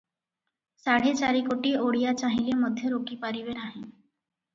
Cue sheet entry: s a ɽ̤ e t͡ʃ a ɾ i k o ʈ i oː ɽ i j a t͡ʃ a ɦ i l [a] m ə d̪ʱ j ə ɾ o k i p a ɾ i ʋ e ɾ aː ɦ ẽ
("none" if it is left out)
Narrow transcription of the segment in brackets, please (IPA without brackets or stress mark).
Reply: e